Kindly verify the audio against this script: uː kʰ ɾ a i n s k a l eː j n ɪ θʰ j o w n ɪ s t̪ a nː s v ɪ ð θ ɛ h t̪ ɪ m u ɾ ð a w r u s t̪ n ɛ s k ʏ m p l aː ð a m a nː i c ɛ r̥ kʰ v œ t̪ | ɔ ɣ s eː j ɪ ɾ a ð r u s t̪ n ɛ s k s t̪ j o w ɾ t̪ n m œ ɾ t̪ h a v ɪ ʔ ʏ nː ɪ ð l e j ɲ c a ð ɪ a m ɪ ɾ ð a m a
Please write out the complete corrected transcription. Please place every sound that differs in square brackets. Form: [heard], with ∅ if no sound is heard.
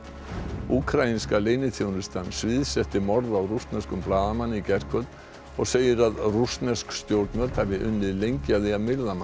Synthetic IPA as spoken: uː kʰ ɾ a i n s k a l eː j n ɪ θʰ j o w n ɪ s t̪ a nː s v ɪ ð [s] ɛ h t̪ ɪ m [ɔ] ɾ ð a w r u s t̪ n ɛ s k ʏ m p l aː ð a m a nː i c ɛ r̥ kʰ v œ t̪ | ɔ ɣ s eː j ɪ ɾ a ð r u s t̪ n ɛ s k s t̪ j o w ɾ t̪ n m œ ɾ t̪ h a v ɪ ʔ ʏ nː ɪ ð l e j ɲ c a ð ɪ a m ɪ ɾ ð a m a

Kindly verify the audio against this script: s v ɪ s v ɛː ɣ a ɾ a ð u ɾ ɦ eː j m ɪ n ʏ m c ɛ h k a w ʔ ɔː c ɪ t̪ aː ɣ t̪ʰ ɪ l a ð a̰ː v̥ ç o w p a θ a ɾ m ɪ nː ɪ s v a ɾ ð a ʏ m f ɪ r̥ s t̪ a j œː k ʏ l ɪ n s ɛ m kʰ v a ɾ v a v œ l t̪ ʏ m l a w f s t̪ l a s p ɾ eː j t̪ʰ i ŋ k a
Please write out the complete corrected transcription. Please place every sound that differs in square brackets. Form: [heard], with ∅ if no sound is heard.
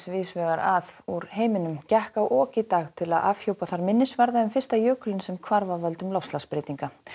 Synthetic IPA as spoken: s v ɪ s v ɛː ɣ a ɾ a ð u ɾ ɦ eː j m ɪ n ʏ m c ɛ h k a w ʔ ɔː c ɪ t̪ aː ɣ t̪ʰ ɪ l a ð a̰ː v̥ ç o w p a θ a ɾ m ɪ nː ɪ s v a ɾ ð a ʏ m f ɪ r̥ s t̪ a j œː k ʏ l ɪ n s ɛ m kʰ v a ɾ v a v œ l t̪ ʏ m l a w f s t̪ l a s p ɾ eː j [t̪] i ŋ k a

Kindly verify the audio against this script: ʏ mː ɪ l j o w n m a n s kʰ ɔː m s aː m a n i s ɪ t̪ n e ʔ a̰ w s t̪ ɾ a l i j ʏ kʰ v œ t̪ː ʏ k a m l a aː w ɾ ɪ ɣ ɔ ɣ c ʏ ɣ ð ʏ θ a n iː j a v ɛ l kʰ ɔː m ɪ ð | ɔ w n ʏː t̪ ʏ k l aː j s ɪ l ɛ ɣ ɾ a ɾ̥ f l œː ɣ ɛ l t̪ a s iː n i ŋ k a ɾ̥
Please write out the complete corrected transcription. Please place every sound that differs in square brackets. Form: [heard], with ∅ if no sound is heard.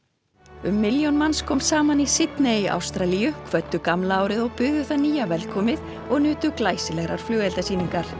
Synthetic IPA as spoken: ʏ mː ɪ l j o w n m a n s kʰ ɔː m s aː m a n i s ɪ t̪ n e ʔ a̰ w s t̪ ɾ a l i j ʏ kʰ v œ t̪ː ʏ k a m l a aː w ɾ ɪ [ð] ɔ ɣ [p] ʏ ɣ ð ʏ θ a n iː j a v ɛ l kʰ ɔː m ɪ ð | ɔ [ɣ] n ʏː t̪ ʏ k l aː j s ɪ l ɛ ɣ ɾ a ɾ̥ f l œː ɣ ɛ l t̪ a s iː n i ŋ k a ɾ̥

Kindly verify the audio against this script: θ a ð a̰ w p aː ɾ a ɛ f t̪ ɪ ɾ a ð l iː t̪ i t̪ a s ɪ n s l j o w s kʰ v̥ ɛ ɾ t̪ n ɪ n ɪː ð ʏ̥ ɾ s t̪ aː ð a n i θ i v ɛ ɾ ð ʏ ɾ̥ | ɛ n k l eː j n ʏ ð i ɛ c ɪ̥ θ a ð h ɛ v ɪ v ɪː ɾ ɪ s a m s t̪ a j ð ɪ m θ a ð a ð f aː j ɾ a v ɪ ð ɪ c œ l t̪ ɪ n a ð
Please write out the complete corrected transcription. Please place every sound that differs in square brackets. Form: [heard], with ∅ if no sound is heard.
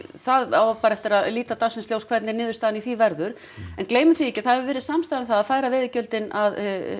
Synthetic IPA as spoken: θ a ð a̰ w p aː ɾ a ɛ f t̪ ɪ ɾ a ð l iː t̪ [a] t̪ a s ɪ n s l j o w s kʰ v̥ ɛ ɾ t̪ n ɪ n ɪː ð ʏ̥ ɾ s t̪ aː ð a n i θ i v ɛ ɾ ð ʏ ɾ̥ | ɛ n k l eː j [m] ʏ [θ] i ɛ c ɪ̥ θ a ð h ɛ v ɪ v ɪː ɾ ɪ s a m s t̪ a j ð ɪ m θ a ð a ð f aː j ɾ a v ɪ ð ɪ c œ l t̪ ɪ n a ð

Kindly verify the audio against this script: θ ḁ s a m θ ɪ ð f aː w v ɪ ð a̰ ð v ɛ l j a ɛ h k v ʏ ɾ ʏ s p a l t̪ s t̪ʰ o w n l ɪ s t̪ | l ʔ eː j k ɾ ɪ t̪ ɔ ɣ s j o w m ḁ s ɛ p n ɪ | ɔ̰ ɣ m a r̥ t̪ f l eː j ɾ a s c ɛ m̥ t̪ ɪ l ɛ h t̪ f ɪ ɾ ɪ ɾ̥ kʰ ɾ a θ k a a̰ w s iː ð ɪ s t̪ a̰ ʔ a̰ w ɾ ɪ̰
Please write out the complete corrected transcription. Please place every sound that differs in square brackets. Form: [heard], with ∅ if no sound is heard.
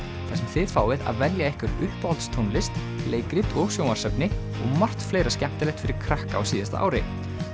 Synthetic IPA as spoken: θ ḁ s [ɛ] m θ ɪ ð f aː w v ɪ ð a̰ ð v ɛ l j a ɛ h k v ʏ ɾ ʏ [h] p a l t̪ s t̪ʰ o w n l ɪ s t̪ | l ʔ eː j k ɾ ɪ t̪ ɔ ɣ s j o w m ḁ s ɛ p n ɪ | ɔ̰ ɣ m a r̥ t̪ f l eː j ɾ a s c ɛ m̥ t̪ ɪ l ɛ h t̪ f ɪ ɾ ɪ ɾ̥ kʰ ɾ a [h] k a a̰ w s iː ð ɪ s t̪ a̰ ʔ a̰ w ɾ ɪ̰

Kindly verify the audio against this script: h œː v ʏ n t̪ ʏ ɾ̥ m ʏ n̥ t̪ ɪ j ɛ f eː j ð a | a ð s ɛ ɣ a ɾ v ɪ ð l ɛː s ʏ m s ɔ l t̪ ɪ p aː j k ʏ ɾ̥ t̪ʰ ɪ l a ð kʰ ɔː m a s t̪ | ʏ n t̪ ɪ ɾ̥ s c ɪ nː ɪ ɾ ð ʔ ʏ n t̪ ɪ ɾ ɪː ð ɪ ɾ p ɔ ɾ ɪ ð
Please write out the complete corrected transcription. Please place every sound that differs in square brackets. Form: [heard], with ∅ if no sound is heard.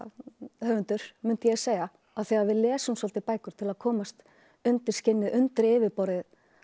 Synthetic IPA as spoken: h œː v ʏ n t̪ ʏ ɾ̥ m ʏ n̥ t̪ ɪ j ɛ [s] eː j [ɣ] a | a ð [θ] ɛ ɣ a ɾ v ɪ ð l ɛː s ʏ m s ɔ l t̪ ɪ p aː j k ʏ ɾ̥ t̪ʰ ɪ l a ð kʰ ɔː m a s t̪ | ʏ n t̪ ɪ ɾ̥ s c ɪ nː ɪ [∅] ð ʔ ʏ n t̪ ɪ ɾ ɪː [v] ɪ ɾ p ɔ ɾ ɪ ð

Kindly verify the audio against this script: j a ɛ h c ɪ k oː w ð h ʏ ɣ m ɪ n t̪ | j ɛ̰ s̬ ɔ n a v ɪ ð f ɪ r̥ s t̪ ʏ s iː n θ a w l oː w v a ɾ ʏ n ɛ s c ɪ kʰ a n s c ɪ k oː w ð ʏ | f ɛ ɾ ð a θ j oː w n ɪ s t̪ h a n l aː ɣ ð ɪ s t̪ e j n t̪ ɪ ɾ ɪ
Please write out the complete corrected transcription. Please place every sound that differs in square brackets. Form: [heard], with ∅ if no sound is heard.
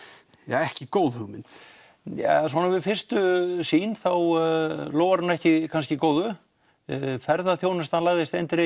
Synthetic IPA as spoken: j a ɛ h c ɪ k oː w ð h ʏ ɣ m ɪ n t̪ | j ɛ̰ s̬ ɔ n a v ɪ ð f ɪ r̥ s t̪ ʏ s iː n θ a w l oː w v a ɾ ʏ n ɛ [h] c ɪ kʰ a n s c ɪ k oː w ð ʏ | f ɛ ɾ ð a θ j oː w n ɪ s t̪ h a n l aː ɣ ð ɪ s t̪ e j n t̪ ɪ ɾ ɪ

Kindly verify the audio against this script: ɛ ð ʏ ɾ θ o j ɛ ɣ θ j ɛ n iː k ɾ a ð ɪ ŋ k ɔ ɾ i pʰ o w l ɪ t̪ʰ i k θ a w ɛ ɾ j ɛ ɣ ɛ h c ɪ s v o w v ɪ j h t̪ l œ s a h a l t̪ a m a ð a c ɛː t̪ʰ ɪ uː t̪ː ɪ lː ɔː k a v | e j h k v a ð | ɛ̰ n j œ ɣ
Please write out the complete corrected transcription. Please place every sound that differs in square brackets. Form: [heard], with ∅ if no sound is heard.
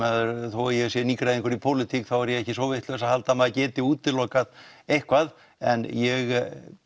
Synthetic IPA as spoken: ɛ ð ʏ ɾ θ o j ɛ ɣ [s] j ɛ n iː k ɾ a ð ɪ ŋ k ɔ ɾ i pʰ o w l ɪ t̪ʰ i k θ a w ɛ ɾ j ɛ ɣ ɛ h c ɪ s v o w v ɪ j h t̪ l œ s a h a l t̪ a m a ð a c ɛː [t̪] ɪ uː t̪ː ɪ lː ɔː k a [ð] | e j h k v a ð | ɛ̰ n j [ɛ] ɣ

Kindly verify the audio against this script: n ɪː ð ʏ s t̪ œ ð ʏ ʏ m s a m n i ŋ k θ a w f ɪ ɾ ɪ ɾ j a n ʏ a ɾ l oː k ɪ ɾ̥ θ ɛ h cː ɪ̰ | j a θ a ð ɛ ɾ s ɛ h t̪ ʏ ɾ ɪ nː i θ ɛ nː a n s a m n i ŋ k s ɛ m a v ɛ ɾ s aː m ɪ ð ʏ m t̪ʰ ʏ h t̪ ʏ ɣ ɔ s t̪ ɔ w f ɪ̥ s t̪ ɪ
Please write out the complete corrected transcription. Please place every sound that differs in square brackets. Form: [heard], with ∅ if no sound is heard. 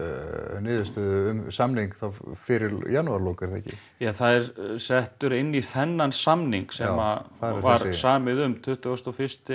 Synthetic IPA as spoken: n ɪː ð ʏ s t̪ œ ð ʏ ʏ m s a m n i ŋ k θ a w f ɪ ɾ ɪ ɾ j a n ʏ a ɾ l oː k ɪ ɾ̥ θ ɛ h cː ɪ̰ | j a θ a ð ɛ ɾ s ɛ h t̪ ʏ ɾ ɪ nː i θ ɛ nː a n s a m n i ŋ k s ɛ m a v [a] ɾ s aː m ɪ ð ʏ m t̪ʰ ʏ h t̪ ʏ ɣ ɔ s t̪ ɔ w f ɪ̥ s t̪ ɪ

